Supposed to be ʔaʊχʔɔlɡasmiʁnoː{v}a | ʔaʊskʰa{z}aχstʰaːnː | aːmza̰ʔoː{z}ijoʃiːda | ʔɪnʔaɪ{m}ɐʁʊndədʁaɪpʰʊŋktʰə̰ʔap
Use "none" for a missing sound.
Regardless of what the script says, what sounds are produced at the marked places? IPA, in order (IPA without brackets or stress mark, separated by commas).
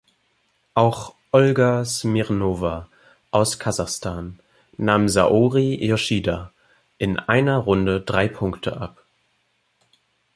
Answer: v, z, ʁ, n